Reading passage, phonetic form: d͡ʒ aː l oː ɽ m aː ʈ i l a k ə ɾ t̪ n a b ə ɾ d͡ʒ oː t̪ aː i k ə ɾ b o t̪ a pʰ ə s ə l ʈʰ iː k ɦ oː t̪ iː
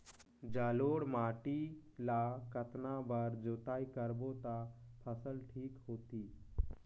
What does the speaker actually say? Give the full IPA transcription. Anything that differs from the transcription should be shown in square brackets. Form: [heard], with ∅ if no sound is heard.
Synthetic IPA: d͡ʒ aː l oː ɽ m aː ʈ i l a k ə [∅] t̪ n a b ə ɾ d͡ʒ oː t̪ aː i k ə ɾ b o t̪ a pʰ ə s ə l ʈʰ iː k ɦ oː t̪ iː